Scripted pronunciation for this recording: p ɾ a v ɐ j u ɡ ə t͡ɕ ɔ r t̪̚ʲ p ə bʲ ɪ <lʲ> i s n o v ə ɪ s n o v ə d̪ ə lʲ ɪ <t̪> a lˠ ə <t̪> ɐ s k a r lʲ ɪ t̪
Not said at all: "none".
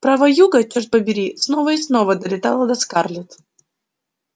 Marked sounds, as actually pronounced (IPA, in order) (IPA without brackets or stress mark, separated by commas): ɾʲ, t̪, d̪